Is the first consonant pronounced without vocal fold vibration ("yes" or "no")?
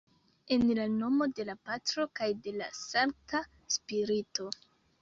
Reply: no